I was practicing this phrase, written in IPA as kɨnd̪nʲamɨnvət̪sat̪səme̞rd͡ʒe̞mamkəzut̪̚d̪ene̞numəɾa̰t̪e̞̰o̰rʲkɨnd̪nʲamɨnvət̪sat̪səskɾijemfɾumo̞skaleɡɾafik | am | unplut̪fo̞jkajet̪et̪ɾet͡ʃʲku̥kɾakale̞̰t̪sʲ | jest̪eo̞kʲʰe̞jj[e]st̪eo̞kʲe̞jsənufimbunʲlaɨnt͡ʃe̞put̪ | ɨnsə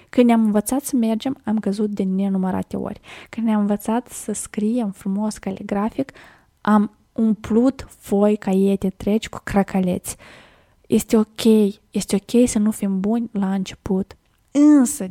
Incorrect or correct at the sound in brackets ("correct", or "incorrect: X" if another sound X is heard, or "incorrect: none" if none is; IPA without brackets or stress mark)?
correct